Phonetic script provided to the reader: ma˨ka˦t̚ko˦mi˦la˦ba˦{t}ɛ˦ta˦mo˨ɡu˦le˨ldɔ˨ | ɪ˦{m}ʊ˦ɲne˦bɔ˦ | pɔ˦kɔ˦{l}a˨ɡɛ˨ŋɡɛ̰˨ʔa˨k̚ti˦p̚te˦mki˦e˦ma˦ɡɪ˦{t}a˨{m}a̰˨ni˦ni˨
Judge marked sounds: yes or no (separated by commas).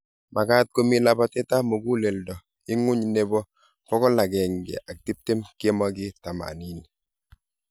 yes, no, yes, yes, yes